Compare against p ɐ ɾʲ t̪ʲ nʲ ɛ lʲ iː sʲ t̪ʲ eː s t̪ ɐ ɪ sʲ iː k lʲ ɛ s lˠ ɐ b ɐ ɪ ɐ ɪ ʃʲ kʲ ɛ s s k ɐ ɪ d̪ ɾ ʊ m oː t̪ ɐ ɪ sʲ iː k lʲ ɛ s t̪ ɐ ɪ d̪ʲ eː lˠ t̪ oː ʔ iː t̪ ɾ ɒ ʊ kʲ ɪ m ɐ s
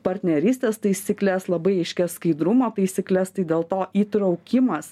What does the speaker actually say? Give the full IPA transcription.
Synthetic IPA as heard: p ɐ ɾʲ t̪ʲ nʲ ɛ ɾʲ iː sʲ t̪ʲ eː s t̪ ɐ ɪ sʲ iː k lʲ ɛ s lˠ ɐ b ɐ ɪ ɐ ɪ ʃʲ kʲ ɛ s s k ɐ ɪ d̪ ɾ ʊ m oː t̪ ɐ ɪ sʲ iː k lʲ ɛ s t̪ ɐ ɪ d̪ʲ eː lˠ t̪ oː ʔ iː t̪ ɾ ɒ ʊ kʲ ɪ m ɐ s